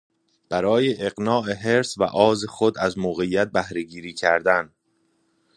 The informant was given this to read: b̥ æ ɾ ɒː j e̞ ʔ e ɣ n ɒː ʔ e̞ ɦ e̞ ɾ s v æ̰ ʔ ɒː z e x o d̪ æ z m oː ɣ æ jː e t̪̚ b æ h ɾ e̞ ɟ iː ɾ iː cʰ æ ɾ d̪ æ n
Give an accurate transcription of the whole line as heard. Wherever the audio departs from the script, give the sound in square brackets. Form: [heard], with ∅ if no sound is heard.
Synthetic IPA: b̥ æ ɾ ɒː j e̞ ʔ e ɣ n ɒː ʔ e̞ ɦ e̞ ɾ s v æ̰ ʔ ɒː z e x o d̪ æ z m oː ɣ [e] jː [æ] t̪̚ b æ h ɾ e̞ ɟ iː ɾ iː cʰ æ ɾ d̪ æ n